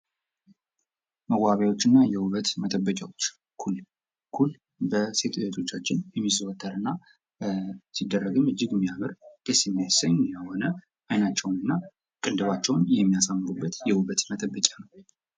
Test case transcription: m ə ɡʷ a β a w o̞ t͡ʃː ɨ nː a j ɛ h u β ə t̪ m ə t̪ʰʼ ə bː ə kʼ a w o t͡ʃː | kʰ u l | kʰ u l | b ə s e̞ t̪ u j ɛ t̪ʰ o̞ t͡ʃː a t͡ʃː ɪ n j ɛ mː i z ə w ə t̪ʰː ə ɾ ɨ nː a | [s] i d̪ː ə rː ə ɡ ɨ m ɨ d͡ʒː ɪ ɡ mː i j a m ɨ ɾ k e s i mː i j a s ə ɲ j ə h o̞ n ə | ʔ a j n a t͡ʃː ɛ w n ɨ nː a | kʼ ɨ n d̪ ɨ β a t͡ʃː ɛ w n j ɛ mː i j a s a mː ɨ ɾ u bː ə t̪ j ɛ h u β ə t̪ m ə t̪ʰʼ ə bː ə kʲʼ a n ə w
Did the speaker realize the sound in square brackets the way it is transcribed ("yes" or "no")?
yes